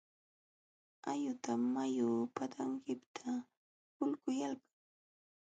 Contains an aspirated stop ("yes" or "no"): yes